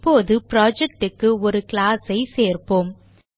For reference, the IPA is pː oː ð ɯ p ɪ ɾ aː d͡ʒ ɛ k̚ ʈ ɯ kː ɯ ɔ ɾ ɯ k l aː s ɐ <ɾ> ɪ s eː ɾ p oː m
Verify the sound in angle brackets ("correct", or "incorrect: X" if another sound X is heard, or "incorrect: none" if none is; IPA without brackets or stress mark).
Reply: incorrect: none